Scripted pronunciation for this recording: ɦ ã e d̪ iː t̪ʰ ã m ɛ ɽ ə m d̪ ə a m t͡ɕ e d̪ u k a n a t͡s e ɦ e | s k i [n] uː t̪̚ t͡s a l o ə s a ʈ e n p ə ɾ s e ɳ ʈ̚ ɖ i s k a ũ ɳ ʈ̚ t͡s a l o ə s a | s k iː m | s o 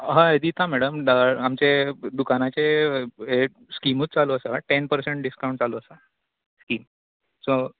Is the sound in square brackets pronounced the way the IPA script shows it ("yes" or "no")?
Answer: no